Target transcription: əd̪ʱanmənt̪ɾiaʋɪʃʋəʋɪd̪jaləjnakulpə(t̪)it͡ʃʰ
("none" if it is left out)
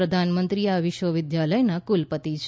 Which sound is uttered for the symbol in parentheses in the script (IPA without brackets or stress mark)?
t̪